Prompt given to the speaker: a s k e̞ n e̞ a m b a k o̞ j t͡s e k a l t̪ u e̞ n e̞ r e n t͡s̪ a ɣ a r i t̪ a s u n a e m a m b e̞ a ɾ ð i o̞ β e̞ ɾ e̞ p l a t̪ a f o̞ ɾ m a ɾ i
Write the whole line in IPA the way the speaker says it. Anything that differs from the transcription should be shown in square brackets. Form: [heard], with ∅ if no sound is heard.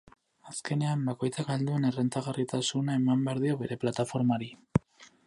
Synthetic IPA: a s k e̞ n e̞ a m b a k o̞ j t͡s [a] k a l [d̪] u e̞ n e̞ r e n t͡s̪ a ɣ a r i t̪ a s u n a e m a m b e̞ a ɾ ð i o̞ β e̞ ɾ e̞ p l a t̪ a f o̞ ɾ m a ɾ i